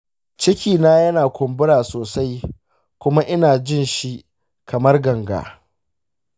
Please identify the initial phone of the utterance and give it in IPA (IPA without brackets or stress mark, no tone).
t͡ʃ